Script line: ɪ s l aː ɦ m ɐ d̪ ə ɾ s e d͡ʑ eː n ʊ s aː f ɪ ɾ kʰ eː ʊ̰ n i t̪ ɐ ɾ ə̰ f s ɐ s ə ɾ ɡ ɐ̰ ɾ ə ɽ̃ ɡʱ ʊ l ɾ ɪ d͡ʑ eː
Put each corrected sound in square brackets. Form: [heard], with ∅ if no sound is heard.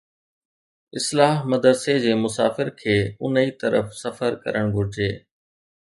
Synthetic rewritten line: ɪ s l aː ɦ m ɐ d̪ ə ɾ s e d͡ʑ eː [m] ʊ s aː f ɪ ɾ kʰ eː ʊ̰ n i t̪ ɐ ɾ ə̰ f s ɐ [f] ə ɾ [k] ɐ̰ ɾ ə ɽ̃ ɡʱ ʊ [∅] ɾ ɪ d͡ʑ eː